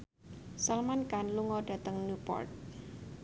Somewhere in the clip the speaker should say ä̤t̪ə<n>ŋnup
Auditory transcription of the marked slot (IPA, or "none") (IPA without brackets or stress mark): none